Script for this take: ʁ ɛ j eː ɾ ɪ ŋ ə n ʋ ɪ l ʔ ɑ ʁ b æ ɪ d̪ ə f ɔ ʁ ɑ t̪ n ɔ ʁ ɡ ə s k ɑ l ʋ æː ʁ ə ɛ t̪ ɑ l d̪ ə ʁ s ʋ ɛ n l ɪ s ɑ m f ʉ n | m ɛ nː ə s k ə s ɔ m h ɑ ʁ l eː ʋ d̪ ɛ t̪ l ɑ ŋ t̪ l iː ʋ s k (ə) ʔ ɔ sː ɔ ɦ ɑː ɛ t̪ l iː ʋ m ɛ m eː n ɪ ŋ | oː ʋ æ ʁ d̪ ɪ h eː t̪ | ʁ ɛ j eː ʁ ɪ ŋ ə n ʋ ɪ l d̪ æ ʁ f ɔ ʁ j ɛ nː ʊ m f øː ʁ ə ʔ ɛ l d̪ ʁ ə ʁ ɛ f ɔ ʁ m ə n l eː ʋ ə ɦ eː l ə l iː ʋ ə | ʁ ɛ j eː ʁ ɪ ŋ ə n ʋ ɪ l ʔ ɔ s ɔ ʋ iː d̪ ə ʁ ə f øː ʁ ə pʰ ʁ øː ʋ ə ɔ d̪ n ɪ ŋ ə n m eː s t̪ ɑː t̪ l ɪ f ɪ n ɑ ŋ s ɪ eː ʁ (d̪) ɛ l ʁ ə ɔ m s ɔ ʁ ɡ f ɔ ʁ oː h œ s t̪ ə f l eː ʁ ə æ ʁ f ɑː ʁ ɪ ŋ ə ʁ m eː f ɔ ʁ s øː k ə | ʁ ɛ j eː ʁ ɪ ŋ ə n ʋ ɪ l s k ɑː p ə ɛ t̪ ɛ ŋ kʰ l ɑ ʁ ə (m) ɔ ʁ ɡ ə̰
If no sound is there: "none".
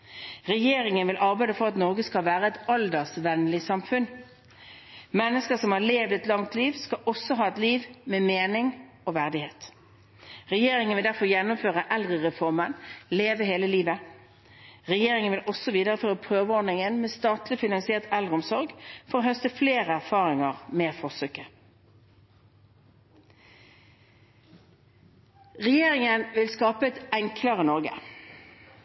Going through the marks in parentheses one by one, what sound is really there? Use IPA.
ɑ, t̪, n

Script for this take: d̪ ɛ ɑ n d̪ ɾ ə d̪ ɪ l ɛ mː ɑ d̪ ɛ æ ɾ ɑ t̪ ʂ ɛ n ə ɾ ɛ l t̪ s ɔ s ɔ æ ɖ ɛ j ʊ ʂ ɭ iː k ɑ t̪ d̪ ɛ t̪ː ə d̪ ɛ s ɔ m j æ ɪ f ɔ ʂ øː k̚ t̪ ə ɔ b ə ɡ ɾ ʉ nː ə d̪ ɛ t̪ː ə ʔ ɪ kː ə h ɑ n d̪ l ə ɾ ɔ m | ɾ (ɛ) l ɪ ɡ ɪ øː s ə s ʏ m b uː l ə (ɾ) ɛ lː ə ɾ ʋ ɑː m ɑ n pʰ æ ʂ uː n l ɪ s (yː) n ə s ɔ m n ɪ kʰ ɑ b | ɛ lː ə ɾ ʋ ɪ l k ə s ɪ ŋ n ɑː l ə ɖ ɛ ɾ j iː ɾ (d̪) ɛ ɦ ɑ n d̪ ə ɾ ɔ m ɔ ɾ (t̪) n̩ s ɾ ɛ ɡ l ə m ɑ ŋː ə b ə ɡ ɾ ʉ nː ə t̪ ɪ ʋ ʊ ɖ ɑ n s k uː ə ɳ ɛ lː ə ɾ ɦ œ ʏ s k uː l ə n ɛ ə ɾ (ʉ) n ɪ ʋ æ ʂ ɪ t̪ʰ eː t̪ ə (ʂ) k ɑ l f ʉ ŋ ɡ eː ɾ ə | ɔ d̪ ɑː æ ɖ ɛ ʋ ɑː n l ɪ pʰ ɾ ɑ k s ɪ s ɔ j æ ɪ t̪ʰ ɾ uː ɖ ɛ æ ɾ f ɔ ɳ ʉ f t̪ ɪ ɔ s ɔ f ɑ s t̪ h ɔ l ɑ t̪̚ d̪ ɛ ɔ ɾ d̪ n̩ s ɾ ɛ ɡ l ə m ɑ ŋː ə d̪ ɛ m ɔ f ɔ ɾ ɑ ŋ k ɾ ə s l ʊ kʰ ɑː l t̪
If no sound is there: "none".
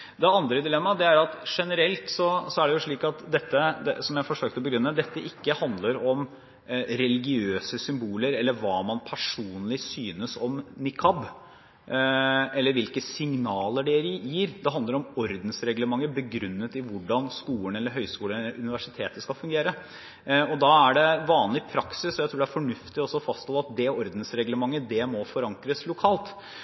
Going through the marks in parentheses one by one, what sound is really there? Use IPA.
ɛ, ɾ, yː, d̪, d̪, ʉ, s

